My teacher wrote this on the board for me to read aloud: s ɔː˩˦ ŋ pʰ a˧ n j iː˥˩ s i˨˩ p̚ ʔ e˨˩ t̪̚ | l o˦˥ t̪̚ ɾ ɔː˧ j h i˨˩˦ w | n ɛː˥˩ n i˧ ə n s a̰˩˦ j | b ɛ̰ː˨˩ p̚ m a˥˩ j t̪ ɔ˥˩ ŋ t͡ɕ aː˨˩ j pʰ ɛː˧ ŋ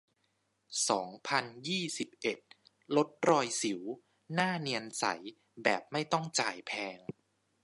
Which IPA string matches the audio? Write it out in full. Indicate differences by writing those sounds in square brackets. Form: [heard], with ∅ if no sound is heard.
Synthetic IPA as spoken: s ɔː˩˦ ŋ pʰ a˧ n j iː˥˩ s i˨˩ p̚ ʔ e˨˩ t̪̚ | l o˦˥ t̪̚ ɾ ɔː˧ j [s] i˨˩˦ w | n [aː˥˩] n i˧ ə n s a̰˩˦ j | b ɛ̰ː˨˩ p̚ m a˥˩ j t̪ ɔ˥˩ ŋ t͡ɕ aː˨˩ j pʰ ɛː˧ ŋ